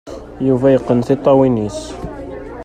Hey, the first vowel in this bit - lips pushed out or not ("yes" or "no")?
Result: yes